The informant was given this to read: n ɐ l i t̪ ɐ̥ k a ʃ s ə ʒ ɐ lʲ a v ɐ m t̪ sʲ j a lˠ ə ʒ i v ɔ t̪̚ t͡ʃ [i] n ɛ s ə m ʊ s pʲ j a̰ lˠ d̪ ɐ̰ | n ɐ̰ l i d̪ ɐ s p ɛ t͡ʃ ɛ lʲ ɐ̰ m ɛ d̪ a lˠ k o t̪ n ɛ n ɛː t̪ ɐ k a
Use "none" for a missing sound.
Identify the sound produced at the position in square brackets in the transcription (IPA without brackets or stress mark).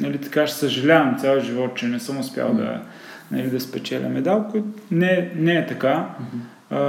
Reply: ɛ